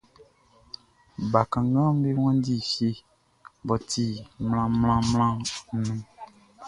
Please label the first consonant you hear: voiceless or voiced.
voiced